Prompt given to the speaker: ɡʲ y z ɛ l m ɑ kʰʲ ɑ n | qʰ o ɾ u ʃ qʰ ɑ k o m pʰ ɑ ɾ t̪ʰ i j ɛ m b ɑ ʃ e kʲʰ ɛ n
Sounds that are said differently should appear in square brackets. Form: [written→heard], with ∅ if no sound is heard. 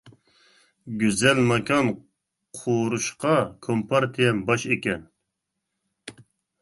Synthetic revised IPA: ɡʲ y z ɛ l m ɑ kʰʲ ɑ n | qʰ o ɾ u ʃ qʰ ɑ [k→kʰ] o m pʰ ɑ ɾ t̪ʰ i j ɛ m b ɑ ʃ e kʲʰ ɛ n